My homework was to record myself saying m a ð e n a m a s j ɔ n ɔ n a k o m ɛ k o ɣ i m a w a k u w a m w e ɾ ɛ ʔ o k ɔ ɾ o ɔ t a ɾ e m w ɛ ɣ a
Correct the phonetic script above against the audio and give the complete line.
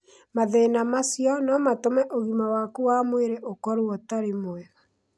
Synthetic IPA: m a ð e n a m a s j ɔ n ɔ m a t o m ɛ ʔ o ɣ i m a w a k u w a m w e ɾ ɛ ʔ o k ɔ ɾ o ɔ t a ɾ e m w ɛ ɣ a